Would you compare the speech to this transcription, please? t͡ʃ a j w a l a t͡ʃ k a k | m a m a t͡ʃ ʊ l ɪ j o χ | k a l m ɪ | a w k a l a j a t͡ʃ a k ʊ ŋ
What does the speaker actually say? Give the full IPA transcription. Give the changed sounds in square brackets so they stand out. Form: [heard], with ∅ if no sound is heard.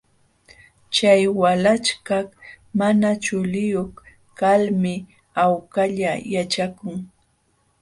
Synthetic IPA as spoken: t͡ʃ a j w a l a t͡ʃ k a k | m a [n] a t͡ʃ ʊ l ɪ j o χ | k a l m ɪ | a w k a [ʎ] a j a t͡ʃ a k ʊ ŋ